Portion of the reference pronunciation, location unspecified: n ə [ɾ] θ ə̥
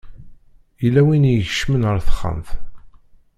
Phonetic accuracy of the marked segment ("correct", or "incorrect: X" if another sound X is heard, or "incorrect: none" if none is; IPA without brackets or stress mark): correct